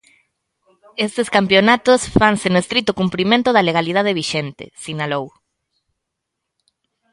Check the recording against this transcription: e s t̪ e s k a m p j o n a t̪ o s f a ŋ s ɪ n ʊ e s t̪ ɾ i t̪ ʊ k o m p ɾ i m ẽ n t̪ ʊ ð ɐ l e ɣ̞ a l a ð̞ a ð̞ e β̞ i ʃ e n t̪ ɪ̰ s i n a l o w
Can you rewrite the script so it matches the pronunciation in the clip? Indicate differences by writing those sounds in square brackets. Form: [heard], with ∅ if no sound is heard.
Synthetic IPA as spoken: e s t̪ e s k a m p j o n a t̪ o s f a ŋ s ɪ n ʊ e s t̪ ɾ i t̪ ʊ k [u] m p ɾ i m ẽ n t̪ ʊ ð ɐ l e ɣ̞ a l [i] ð̞ a ð̞ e β̞ i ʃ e n t̪ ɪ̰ s i n a l o w

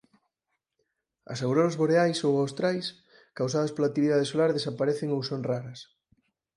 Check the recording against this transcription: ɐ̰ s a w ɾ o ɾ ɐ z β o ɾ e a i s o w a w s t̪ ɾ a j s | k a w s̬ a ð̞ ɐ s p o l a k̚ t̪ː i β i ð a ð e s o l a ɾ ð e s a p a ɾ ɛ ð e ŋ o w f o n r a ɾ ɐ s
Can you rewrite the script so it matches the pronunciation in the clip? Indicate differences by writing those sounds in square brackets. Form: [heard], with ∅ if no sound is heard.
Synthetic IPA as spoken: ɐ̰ s a w ɾ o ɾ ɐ z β o ɾ e a [j] s o w a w s t̪ ɾ a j s | k a w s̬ a ð̞ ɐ s p o l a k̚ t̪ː i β i ð a ð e s o l a ɾ ð e s a p a ɾ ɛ [θ] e ŋ o w [s] o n r a ɾ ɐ s

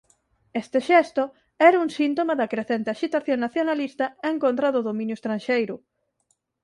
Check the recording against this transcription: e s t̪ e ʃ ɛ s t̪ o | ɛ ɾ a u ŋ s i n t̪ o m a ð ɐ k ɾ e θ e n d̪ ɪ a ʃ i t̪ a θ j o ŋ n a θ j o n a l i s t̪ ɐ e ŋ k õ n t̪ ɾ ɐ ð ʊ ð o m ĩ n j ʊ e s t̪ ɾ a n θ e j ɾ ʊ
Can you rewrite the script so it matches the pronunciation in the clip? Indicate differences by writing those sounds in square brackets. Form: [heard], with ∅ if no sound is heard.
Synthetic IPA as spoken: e s t̪ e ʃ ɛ s t̪ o | ɛ ɾ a u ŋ s i n t̪ o m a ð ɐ k ɾ e θ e n [t̪] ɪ a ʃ i t̪ a θ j o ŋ n a θ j o n a l i s t̪ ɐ e ŋ k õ n t̪ ɾ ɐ ð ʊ ð o m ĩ n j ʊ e s t̪ ɾ a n [ʃ] e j ɾ ʊ

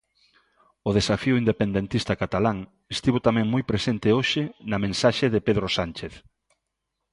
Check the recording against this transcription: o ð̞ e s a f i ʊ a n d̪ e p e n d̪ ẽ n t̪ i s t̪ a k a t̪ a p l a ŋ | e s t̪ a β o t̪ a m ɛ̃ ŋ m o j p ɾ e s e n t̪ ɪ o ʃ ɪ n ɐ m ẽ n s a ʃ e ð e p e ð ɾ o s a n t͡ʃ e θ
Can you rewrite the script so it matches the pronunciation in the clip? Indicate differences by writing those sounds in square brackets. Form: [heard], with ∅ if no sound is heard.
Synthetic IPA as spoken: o ð̞ e s a f i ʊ [i] n d̪ e p e n d̪ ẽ n t̪ i s t̪ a k a t̪ a [∅] l a ŋ | e s t̪ [i] β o t̪ a m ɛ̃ ŋ m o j p ɾ e s e n t̪ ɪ o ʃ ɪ n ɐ m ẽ n s a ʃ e ð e p e ð ɾ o s a n t͡ʃ e θ

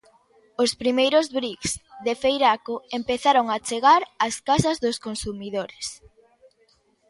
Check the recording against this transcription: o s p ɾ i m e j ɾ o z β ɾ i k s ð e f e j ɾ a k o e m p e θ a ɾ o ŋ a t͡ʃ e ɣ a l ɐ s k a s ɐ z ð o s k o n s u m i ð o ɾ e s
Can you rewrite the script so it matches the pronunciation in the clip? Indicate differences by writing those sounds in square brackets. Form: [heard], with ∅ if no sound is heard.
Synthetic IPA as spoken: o s p ɾ i m e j ɾ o z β ɾ i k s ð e f e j ɾ a k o e m p e θ a ɾ o ŋ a t͡ʃ e ɣ a [ɾ] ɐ s k a s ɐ z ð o s k o n s u m i ð o ɾ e s

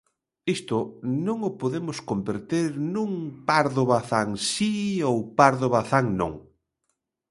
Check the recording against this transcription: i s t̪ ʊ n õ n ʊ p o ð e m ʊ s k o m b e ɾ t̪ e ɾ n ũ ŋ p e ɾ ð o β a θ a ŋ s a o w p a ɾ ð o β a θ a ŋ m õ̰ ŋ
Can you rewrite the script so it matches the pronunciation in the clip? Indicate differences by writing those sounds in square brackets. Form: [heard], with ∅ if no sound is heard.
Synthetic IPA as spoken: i s t̪ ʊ n õ [ŋ] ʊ p o ð e m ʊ s k o m b e ɾ t̪ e ɾ n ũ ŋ p [a] ɾ ð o β a θ a ŋ s [i] o w p a ɾ ð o β a θ a ŋ [n] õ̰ ŋ

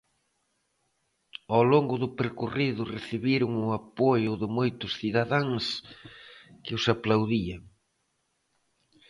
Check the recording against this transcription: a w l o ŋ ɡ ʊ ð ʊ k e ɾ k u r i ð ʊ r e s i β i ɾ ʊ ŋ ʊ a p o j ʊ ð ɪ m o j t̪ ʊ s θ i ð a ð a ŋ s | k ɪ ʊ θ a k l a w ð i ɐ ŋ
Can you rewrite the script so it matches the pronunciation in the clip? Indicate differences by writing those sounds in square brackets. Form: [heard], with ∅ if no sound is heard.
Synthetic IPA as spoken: a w l o ŋ ɡ ʊ ð ʊ [p] e ɾ k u r i ð ʊ r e [θ] i β i ɾ ʊ ŋ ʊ a p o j ʊ ð ɪ m o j t̪ ʊ s θ i ð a ð a ŋ s | k ɪ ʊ [s] a [p] l a w ð i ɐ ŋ

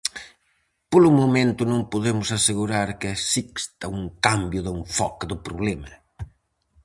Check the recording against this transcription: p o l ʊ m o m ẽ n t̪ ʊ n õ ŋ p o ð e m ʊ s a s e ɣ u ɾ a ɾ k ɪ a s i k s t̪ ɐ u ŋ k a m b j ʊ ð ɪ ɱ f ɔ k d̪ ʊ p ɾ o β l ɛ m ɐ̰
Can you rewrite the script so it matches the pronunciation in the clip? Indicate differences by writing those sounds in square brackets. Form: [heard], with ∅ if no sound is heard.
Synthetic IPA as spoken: p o l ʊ m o m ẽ n t̪ ʊ n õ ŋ p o ð e m ʊ s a s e ɣ u ɾ a ɾ k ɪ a s i k s t̪ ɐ u ŋ k a m b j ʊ ð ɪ ɱ f ɔ k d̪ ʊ p ɾ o β l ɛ m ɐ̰

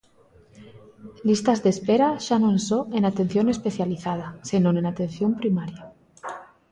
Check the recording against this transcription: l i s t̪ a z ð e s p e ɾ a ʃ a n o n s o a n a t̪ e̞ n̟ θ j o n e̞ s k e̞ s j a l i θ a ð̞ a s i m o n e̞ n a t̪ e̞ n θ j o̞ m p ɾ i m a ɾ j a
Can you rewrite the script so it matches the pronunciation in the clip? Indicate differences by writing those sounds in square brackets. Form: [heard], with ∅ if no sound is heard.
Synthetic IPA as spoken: l i s t̪ a z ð e s p e ɾ a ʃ a n o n s o [e] n a t̪ e̞ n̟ θ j o n e̞ s [p] e̞ [θ] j a l i θ a ð̞ a s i [n] o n e̞ n a t̪ e̞ n θ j o̞ m p ɾ i m a ɾ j a

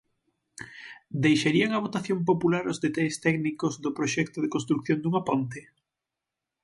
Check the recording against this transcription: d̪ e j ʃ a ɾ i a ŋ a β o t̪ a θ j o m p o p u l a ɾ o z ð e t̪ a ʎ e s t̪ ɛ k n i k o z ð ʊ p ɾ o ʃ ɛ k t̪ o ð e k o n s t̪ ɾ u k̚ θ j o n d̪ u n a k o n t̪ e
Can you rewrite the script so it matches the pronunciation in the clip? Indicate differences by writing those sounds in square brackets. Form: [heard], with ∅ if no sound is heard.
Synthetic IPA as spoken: d̪ e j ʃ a ɾ i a ŋ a β o t̪ a θ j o m p o p u l a ɾ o z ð e t̪ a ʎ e s t̪ ɛ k n i k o z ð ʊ p ɾ o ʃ ɛ k t̪ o ð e k o n s t̪ ɾ u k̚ θ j o n d̪ u [ŋ] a [p] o n t̪ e

